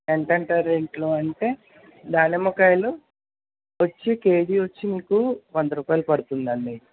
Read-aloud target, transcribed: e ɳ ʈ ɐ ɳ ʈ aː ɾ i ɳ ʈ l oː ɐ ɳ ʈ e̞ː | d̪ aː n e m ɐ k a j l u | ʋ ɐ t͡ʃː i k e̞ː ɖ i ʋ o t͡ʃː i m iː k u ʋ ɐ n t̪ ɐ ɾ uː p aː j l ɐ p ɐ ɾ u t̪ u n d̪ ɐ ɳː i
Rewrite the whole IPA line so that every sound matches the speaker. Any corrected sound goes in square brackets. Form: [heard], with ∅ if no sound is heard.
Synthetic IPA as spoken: e ɳ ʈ ɐ ɳ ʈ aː ɾ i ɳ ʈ l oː ɐ ɳ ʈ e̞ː | d̪ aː n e m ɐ k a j l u | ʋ ɐ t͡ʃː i k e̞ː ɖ i ʋ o t͡ʃː i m iː k u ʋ ɐ n [d̪] ɐ ɾ uː p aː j l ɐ p ɐ [ɽ] u t̪ u n d̪ ɐ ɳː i

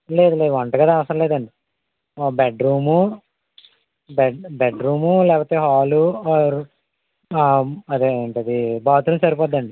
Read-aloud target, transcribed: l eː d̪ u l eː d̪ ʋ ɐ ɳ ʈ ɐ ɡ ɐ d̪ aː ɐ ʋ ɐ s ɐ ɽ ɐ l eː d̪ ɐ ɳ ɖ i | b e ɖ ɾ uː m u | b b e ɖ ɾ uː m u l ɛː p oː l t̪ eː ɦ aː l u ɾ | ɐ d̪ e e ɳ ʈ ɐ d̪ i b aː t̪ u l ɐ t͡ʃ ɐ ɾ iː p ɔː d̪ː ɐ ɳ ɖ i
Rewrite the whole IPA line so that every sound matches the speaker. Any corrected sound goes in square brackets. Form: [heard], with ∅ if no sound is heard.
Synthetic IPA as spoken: l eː d̪ u l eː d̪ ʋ ɐ ɳ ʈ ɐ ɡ ɐ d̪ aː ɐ ʋ ɐ s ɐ [ɾ] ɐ l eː d̪ ɐ ɳ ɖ i | b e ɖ ɾ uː m u | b b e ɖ ɾ uː m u l ɛː p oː [∅] t̪ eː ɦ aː l u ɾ | ɐ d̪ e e ɳ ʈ ɐ d̪ i b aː t̪ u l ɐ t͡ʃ ɐ ɾ [i] p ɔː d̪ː ɐ ɳ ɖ i

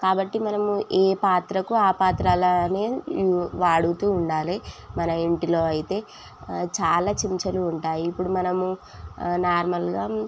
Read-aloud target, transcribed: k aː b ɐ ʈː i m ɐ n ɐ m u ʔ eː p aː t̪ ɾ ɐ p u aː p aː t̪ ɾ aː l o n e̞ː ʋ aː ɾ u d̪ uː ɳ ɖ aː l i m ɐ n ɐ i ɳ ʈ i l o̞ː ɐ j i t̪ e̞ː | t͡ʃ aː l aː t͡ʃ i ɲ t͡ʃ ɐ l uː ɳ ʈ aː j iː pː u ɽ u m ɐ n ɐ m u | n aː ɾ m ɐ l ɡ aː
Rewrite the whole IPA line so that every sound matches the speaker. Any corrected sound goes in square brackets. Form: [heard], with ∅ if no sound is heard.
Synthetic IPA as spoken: k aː b ɐ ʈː i m ɐ n ɐ m u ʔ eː p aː t̪ ɾ ɐ [k] u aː p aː t̪ ɾ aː l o n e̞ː ʋ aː [ɽ] u [t̪] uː ɳ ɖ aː l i m ɐ n ɐ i ɳ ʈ i l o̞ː ɐ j i t̪ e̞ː | t͡ʃ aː l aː t͡ʃ i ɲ t͡ʃ ɐ l uː ɳ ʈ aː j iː pː u ɽ u m ɐ n ɐ m u | n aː ɾ m ɐ l ɡ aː

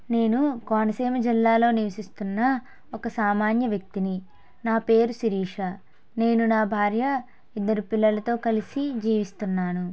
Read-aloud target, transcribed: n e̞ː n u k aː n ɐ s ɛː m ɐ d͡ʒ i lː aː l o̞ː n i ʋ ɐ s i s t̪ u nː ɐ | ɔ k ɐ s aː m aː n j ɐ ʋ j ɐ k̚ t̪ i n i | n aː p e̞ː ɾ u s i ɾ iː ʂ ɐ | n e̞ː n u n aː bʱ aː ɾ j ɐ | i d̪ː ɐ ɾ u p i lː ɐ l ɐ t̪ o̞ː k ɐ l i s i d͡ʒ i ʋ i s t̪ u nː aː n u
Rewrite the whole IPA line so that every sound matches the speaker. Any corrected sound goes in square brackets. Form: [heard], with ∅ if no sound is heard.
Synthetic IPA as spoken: n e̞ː n u k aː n ɐ s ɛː m ɐ d͡ʒ i lː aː l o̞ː n i ʋ ɐ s i s t̪ u nː ɐ | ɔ k ɐ s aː m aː n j ɐ ʋ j ɐ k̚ t̪ i n i | n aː p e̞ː ɾ u s i ɾ iː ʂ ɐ | n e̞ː n u n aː bʱ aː ɾ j ɐ | i d̪ː ɐ ɾ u p i lː ɐ l ɐ t̪ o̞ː k ɐ l i s i d͡ʒ [iː] ʋ i s t̪ u nː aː n u

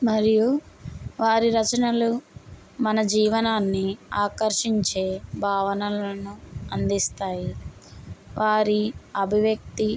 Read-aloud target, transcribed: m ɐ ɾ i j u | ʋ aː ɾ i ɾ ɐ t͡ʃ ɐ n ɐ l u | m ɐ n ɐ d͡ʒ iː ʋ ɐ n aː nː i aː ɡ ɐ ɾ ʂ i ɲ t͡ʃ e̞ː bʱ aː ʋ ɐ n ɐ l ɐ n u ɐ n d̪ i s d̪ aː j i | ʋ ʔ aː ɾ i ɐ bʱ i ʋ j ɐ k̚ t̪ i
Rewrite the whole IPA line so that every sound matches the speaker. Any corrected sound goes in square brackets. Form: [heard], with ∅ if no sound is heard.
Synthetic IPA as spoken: m ɐ ɾ i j u | ʋ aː ɾ i ɾ ɐ t͡ʃ ɐ n ɐ l u | m ɐ n ɐ d͡ʒ iː ʋ ɐ n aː nː i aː [k] ɐ ɾ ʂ i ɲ t͡ʃ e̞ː bʱ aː ʋ ɐ n ɐ l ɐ n u ɐ n d̪ i s [t̪] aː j i | ʋ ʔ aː ɾ i ɐ bʱ i ʋ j ɐ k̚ t̪ i

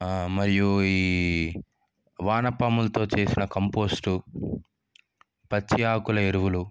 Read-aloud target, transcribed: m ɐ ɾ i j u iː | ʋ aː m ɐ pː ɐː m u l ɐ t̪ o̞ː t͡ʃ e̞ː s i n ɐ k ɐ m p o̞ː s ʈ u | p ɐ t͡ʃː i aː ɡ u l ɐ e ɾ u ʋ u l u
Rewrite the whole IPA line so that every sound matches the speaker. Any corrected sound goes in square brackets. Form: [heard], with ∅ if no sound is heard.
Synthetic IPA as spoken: m ɐ ɾ i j u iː | ʋ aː [n] ɐ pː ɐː m u l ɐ t̪ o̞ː t͡ʃ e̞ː s i n ɐ k ɐ m p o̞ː s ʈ u | p ɐ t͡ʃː i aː [k] u l ɐ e ɾ u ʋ u l u

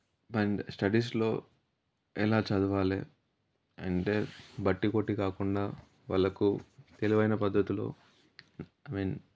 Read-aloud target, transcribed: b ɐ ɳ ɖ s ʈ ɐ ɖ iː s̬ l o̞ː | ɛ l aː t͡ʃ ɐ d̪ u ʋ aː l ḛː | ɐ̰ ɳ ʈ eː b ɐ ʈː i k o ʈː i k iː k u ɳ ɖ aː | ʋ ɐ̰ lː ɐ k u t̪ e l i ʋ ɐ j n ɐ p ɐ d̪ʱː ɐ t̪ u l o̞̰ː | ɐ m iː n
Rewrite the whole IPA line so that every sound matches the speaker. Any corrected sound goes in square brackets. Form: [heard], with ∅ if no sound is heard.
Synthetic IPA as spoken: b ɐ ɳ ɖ s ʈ ɐ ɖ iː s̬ l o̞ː | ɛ l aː t͡ʃ ɐ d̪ u ʋ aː l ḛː | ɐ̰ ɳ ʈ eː b ɐ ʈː i k o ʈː i k [aː] k u ɳ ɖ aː | ʋ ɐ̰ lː ɐ k u t̪ e l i ʋ ɐ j n ɐ p ɐ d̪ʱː ɐ t̪ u l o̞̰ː | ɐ m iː n

